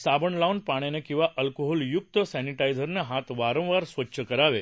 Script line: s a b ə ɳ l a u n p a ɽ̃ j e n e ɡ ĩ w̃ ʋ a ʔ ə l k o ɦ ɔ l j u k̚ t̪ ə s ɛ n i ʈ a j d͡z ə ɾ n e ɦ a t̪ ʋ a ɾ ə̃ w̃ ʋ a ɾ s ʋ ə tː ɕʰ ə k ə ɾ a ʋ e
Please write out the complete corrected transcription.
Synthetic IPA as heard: s a b ə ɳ l a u n p a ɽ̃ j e n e k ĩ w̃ ʋ a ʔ ə l k o ɦ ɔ l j u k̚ t̪ ə s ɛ n i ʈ a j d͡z ə ɾ n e ɦ a t̪ ʋ a ɾ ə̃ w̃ ʋ a ɾ s ʋ ə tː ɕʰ ə k ə ɾ a ʋ e